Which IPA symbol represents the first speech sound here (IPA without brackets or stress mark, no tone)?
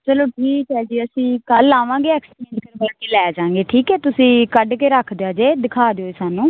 t͡ʃ